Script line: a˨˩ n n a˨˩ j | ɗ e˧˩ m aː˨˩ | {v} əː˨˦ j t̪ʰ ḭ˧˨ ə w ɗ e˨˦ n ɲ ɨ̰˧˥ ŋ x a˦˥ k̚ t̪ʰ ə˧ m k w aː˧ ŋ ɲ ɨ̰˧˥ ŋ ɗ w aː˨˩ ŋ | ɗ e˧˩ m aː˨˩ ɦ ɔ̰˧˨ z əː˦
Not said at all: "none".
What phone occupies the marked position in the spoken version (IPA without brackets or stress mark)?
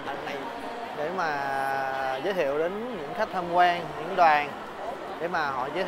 z